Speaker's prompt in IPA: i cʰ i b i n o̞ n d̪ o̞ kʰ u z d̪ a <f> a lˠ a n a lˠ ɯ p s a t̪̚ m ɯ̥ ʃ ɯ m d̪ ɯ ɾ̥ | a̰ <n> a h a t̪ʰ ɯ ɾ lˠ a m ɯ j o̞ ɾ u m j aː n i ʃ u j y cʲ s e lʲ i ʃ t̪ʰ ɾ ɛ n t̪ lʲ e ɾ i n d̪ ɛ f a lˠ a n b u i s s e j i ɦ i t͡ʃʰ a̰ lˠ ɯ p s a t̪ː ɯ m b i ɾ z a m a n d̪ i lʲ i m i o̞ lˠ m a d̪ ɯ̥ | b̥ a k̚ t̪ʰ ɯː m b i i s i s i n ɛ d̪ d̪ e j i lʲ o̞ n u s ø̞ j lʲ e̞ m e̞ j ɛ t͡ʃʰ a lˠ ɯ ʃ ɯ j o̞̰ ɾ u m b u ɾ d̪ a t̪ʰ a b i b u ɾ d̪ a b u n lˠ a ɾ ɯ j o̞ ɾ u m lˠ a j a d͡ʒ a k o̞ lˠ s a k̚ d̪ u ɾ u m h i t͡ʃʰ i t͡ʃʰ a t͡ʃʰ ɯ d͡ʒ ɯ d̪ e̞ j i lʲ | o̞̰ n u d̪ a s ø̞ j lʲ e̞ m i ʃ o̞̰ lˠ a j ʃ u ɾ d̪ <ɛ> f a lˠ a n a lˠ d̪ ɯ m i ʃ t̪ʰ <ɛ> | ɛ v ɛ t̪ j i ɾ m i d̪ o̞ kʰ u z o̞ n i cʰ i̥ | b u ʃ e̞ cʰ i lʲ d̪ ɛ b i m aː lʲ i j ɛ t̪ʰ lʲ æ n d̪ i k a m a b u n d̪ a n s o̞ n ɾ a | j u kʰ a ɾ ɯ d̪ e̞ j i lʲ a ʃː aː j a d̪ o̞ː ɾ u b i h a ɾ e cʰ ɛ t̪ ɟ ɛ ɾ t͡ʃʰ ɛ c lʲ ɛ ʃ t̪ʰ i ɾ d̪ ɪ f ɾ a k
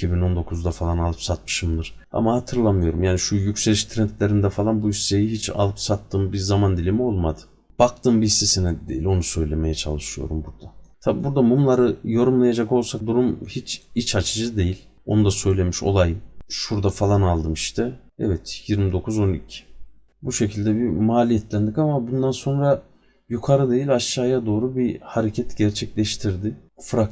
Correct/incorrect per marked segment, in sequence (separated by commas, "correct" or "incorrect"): correct, incorrect, incorrect, correct